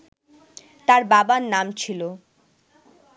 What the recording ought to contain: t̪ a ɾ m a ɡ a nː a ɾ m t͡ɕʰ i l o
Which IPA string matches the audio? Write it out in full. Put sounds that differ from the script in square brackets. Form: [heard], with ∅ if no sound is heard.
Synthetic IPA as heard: t̪ a ɾ [b] a [b] a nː a [∅] m t͡ɕʰ i l o